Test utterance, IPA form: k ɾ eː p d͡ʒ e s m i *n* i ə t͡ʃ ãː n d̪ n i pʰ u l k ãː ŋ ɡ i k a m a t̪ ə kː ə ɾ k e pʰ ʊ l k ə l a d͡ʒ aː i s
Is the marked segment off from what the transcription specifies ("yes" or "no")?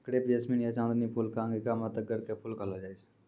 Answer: no